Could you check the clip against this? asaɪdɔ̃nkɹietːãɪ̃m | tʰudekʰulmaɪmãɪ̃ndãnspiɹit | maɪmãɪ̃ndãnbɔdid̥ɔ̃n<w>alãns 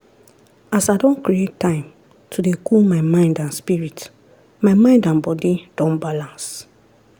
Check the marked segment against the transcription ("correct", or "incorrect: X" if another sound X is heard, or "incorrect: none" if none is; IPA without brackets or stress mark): incorrect: b